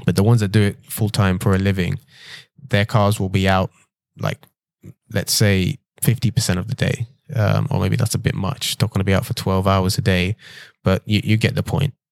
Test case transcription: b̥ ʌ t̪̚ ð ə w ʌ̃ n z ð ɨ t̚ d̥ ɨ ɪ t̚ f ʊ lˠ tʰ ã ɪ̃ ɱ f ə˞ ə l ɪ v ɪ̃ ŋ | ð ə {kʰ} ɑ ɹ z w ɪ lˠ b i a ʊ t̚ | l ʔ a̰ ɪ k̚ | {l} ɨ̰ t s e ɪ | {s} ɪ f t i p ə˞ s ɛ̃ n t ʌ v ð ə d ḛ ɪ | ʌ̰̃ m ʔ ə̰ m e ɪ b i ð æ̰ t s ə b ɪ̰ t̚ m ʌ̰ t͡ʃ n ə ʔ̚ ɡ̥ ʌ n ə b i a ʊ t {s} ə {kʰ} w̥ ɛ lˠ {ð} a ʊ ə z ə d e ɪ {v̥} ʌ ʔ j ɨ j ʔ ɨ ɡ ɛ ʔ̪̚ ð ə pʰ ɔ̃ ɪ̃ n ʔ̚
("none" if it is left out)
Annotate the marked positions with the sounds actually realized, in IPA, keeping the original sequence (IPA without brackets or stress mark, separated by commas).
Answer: kʰ, l, f, f, tʰ, v, b̥